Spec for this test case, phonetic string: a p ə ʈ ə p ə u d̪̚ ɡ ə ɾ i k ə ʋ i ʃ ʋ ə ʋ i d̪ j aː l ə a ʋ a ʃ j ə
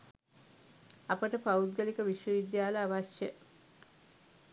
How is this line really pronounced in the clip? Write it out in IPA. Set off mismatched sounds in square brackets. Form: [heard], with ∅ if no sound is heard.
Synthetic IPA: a p ə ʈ ə p [a] u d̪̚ ɡ ə [l] i k ə ʋ i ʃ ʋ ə ʋ i d̪ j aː l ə a ʋ a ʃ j ə